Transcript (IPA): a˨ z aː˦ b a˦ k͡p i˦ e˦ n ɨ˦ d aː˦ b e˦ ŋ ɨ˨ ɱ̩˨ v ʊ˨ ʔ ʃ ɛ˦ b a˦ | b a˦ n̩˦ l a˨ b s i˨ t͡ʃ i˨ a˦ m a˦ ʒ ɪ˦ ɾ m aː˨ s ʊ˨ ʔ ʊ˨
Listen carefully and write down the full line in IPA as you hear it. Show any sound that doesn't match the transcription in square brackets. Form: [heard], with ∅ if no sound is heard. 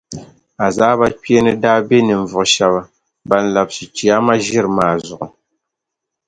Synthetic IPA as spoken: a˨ z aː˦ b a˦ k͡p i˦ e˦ n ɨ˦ d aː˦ b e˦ [n] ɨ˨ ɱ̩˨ v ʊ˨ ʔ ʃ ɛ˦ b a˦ | b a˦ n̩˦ l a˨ b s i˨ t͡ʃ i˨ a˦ m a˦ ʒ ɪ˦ ɾ m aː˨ [z] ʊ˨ ʔ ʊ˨